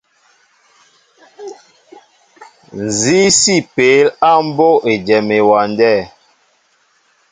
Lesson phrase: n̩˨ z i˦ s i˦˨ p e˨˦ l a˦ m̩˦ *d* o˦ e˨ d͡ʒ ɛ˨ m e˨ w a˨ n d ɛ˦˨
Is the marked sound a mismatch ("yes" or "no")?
yes